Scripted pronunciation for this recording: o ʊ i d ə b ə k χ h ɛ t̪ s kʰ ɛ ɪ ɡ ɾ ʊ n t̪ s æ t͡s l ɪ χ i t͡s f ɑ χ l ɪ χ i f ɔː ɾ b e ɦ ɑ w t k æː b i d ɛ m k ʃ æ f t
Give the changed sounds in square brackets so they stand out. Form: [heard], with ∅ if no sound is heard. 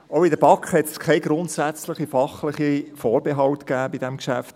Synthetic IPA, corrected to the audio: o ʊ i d ə b [ɑ] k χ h ɛ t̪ s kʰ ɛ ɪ ɡ ɾ ʊ n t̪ s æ t͡s l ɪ χ i [∅] f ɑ χ l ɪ χ i f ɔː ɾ b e ɦ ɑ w t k æː b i d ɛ m k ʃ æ f t